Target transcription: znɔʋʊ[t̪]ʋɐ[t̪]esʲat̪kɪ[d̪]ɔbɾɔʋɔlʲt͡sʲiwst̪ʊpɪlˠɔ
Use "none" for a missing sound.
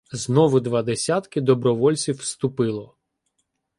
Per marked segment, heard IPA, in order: d̪, d̪, d̪

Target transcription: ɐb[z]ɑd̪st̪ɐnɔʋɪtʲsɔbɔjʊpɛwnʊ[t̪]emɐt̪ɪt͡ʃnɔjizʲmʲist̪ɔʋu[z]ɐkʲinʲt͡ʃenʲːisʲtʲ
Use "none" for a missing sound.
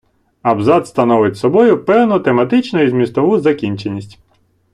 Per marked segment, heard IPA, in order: z, t̪, z

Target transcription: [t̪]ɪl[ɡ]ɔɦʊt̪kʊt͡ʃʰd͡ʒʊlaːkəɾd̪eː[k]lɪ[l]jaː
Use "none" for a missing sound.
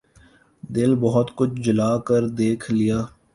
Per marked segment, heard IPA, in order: d̪, b, kʰ, none

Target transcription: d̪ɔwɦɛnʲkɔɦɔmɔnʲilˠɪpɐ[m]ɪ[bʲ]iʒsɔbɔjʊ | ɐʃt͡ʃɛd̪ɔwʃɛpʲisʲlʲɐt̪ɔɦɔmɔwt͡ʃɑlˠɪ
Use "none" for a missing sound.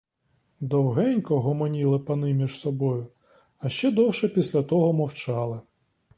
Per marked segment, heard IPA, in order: n, mʲ

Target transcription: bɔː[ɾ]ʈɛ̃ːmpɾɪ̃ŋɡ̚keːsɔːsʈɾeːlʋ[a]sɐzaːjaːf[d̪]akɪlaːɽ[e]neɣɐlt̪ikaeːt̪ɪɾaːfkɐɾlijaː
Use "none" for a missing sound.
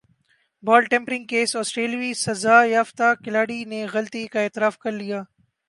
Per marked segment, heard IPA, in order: l, i, t̪, i

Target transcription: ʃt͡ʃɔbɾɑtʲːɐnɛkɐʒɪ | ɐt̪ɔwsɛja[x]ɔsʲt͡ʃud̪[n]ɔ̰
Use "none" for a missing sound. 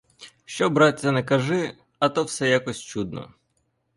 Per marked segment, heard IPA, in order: k, n

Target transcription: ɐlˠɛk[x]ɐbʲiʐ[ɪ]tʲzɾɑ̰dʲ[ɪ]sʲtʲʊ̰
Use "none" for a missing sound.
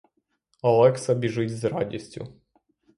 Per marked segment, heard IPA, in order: s, ɪ, i

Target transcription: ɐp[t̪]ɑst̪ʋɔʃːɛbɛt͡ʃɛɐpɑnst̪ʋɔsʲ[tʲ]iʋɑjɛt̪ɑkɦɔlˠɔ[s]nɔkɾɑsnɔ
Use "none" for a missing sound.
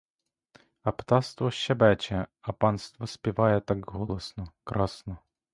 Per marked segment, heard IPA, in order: t̪, pʲ, s

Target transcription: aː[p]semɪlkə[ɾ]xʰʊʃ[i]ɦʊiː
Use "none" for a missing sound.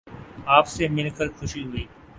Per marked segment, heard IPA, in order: p, ɾ, i

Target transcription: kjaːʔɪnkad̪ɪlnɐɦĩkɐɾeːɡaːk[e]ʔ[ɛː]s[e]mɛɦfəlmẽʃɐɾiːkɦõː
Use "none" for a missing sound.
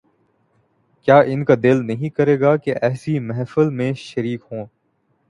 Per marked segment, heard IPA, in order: e, ɛː, i

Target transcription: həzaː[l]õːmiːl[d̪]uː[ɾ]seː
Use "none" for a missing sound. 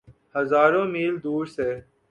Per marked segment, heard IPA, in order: ɾ, d̪, ɾ

